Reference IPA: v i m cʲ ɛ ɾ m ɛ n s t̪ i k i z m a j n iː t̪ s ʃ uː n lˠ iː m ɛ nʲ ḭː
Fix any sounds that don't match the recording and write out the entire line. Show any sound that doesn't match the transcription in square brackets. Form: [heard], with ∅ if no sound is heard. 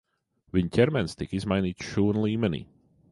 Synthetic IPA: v i [ɲ] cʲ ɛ ɾ m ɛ n s t̪ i k i z m a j n iː t̪ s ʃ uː n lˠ iː m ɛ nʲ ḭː